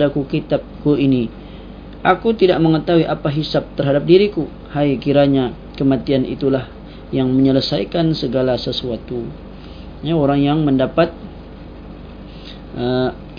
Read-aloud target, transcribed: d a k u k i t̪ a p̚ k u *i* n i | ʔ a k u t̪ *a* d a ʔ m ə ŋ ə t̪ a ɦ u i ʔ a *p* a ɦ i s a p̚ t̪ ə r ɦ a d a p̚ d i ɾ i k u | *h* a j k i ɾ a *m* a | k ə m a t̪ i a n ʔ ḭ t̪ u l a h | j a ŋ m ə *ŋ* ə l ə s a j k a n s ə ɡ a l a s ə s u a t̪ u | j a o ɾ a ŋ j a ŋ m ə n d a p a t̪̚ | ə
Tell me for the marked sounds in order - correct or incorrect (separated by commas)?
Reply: correct, incorrect, correct, correct, incorrect, incorrect